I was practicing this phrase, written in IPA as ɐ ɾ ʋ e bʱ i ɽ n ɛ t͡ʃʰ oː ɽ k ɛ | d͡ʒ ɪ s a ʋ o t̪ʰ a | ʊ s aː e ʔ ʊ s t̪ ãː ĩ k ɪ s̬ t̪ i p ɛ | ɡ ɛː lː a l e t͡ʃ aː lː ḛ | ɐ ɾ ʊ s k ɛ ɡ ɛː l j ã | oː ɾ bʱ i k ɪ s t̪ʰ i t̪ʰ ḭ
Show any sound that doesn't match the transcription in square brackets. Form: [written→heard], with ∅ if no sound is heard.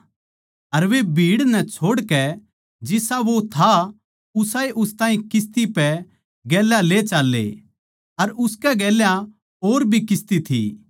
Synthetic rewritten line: ɐ ɾ ʋ e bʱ [i→iː] ɽ n ɛ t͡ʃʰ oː ɽ k ɛ | d͡ʒ ɪ s a ʋ o t̪ʰ a | ʊ s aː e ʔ ʊ s t̪ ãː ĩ k ɪ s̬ t̪ i p ɛ | ɡ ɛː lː a l e t͡ʃ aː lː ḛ | ɐ ɾ ʊ s k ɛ ɡ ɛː l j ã | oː ɾ bʱ i k ɪ s [t̪ʰ→t̪] i t̪ʰ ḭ